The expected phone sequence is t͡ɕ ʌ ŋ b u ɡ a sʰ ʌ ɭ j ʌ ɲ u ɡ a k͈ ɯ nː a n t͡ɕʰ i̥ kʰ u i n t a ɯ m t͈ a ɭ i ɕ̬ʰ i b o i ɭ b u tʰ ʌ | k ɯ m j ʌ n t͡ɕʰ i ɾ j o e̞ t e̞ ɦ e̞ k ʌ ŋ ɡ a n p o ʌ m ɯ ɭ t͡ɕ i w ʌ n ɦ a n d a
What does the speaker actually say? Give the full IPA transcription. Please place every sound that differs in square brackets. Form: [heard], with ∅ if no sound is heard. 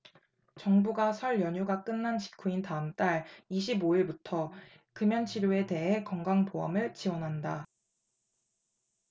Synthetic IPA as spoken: t͡ɕ ʌ ŋ b u ɡ a sʰ ʌ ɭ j ʌ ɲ u ɡ a k͈ ɯ nː a n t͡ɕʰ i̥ kʰ u i n t a ɯ m t͈ a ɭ i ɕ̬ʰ i b o i ɭ b u tʰ ʌ | k ɯ m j ʌ n t͡ɕʰ i ɾ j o e̞ t e̞ ɦ e̞ k ʌ ŋ ɡ a [ŋ] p o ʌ m ɯ ɭ t͡ɕ i w ʌ n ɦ a n d a